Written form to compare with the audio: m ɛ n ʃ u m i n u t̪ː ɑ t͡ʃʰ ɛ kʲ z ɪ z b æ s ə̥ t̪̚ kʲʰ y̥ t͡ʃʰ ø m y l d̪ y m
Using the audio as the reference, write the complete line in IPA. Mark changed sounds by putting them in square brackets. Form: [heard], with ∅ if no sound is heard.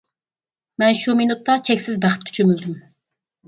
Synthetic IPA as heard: m ɛ n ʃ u m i n u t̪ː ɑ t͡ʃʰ ɛ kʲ [s] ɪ z b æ [χ] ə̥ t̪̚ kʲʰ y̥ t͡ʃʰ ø m y l d̪ y m